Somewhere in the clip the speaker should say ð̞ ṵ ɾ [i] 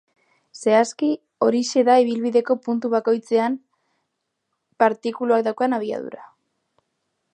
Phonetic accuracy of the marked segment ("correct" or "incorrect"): incorrect